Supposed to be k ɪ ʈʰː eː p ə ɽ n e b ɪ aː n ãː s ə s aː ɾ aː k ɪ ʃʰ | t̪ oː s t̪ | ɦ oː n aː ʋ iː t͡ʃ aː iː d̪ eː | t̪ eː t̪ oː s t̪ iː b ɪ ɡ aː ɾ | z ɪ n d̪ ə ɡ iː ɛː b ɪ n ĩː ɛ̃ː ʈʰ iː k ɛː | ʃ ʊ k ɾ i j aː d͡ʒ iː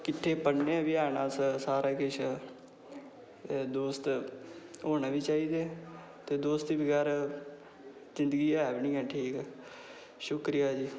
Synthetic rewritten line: k ɪ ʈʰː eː p ə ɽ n e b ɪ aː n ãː s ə s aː ɾ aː k ɪ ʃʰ | d̪ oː s t̪ | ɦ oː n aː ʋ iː t͡ʃ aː iː d̪ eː | t̪ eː d̪ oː s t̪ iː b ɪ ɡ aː ɾ | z ɪ n d̪ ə ɡ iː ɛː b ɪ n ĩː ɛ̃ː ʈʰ iː k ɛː | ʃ ʊ k ɾ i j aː d͡ʒ iː